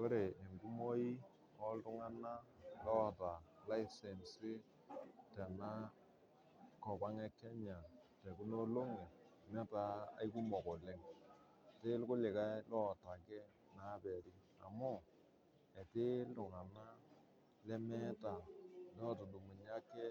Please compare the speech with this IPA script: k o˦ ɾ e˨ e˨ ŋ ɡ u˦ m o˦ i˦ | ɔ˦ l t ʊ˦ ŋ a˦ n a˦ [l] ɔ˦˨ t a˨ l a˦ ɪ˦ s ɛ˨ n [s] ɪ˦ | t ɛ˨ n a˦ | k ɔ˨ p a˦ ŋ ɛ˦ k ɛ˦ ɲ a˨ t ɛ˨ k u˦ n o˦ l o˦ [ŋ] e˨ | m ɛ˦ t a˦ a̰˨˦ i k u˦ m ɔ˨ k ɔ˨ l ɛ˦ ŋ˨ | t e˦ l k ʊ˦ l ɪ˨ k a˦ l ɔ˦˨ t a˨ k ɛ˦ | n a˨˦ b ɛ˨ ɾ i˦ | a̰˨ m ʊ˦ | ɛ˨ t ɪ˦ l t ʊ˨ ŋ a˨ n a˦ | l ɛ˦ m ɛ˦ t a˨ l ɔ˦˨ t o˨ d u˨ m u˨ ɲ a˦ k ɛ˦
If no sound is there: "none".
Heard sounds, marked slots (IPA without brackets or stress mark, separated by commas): l, s, ŋ